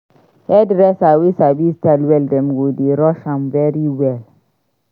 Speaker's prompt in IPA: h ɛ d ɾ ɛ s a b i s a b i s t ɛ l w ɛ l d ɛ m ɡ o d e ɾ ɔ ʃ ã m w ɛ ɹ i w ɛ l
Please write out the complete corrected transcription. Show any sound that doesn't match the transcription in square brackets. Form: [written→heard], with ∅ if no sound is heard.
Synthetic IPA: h ɛ d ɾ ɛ s a [b→w] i s a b i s t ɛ l w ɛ l d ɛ m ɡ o d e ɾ ɔ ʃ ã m [w→v] ɛ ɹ i w ɛ l